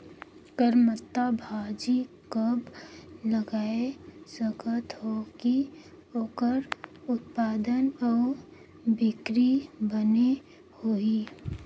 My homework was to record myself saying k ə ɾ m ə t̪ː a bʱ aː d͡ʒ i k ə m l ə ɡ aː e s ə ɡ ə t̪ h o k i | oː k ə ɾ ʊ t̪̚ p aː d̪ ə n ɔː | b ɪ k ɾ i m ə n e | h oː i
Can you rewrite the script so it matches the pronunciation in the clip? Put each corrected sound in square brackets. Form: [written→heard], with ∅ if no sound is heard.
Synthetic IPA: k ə ɾ m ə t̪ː a bʱ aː d͡ʒ i k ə [m→b] l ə ɡ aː e s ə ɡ ə t̪ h o k i | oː k ə ɾ ʊ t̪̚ p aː d̪ ə n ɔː | b ɪ k ɾ i [m→b] ə n e | h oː i